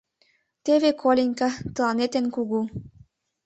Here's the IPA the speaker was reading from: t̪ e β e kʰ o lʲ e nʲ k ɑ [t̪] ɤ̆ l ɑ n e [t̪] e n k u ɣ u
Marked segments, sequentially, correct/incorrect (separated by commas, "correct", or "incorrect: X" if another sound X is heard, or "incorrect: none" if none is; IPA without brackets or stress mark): correct, correct